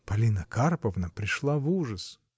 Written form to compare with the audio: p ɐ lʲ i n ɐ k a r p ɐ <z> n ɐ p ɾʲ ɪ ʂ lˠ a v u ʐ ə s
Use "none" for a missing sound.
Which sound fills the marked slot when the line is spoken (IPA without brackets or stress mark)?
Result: v